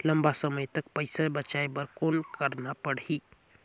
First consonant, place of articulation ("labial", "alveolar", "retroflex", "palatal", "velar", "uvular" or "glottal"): alveolar